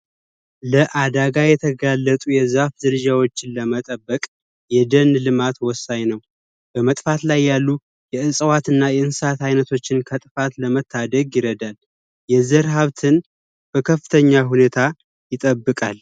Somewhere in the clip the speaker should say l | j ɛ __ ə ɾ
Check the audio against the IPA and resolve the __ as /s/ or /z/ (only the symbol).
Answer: z